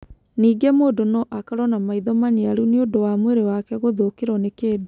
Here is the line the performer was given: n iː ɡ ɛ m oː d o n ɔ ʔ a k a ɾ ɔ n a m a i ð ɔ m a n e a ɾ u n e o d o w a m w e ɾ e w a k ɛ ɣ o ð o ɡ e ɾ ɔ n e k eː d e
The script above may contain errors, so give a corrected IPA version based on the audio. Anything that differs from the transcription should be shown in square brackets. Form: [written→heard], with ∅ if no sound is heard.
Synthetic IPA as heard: n iː ɡ ɛ m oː d o n ɔ ʔ a k a ɾ ɔ n a m a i ð ɔ m a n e a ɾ u n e o d o w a m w e ɾ e w a k ɛ ɣ o ð o [ɡ→k] e ɾ ɔ n e k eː d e